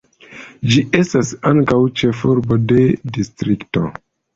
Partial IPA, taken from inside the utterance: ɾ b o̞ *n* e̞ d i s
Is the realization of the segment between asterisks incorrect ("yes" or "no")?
yes